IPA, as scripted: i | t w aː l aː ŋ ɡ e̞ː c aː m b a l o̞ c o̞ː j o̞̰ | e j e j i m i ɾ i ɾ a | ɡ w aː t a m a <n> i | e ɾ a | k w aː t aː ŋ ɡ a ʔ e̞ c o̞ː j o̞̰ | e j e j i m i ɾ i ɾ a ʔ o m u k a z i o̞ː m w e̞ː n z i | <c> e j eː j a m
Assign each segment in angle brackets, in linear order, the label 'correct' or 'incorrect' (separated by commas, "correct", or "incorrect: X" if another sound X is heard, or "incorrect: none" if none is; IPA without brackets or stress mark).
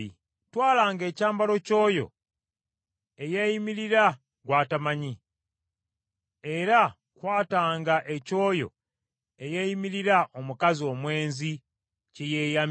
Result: incorrect: ɲ, correct